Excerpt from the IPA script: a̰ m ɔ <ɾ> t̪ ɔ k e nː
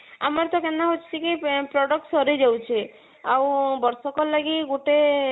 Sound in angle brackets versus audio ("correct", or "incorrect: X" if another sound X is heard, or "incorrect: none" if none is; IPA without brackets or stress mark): correct